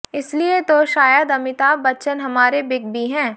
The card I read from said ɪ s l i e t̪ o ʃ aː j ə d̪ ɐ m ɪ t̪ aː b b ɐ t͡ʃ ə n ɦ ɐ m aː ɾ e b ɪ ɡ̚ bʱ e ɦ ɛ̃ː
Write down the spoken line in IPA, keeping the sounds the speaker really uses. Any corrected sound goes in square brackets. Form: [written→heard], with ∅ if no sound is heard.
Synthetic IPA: ɪ s l i e t̪ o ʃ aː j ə d̪ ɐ m ɪ t̪ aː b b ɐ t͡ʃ ə n ɦ ɐ m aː ɾ e b ɪ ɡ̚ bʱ [e→i] ɦ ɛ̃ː